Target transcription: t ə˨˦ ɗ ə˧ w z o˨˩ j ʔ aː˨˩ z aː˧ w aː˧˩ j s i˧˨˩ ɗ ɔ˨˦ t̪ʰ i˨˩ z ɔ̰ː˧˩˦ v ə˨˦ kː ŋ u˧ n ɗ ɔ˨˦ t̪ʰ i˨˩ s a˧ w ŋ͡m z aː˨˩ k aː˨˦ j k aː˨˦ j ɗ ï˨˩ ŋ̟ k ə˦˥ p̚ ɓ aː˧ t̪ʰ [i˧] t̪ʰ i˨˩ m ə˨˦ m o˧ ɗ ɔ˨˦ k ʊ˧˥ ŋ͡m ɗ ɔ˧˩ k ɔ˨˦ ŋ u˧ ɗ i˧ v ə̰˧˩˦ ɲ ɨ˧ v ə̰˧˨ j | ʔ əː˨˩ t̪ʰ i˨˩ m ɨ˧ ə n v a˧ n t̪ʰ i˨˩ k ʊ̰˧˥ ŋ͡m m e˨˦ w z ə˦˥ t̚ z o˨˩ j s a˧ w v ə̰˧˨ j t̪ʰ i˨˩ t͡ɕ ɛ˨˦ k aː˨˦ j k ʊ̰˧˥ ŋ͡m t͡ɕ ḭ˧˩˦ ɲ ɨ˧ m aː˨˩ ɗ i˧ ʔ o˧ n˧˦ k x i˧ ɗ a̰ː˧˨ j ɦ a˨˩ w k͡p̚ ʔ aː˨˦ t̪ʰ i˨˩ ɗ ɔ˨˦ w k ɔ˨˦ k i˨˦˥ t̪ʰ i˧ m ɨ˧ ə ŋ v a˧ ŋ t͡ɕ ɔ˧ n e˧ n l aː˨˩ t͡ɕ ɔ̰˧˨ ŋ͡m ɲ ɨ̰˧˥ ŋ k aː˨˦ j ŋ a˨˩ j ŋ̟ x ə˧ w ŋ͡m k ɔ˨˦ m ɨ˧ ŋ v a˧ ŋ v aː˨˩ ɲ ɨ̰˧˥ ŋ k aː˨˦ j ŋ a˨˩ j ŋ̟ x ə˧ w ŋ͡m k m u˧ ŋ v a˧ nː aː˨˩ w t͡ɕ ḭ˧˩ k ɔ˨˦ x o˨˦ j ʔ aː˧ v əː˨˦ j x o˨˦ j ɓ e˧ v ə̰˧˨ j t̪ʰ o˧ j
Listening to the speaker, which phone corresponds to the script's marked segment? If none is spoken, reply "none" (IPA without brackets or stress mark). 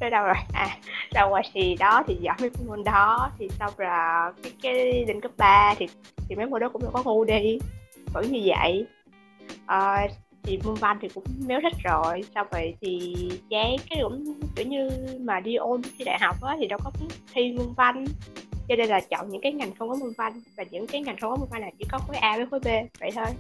i˨˩